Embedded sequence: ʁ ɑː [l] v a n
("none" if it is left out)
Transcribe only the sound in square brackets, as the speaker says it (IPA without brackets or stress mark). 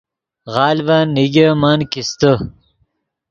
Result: l